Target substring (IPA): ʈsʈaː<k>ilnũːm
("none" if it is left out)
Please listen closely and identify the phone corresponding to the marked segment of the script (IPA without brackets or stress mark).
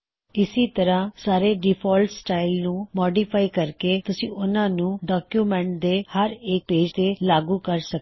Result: none